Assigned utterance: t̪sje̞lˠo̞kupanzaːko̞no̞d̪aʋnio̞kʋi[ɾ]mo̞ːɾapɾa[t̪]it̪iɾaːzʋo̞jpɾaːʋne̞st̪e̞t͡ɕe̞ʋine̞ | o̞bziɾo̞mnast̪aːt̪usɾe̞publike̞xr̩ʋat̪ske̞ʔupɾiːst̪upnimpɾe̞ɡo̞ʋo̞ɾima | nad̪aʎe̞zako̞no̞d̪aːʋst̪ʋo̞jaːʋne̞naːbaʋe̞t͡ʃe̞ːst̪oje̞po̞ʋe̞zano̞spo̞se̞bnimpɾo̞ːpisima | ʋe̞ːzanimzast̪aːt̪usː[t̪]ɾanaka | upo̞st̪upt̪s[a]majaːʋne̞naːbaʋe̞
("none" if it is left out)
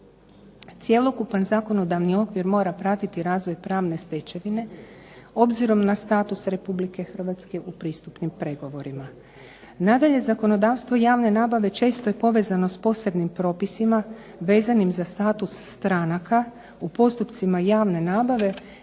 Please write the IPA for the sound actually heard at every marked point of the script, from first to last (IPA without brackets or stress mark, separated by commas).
ɾ, t̪, t̪, i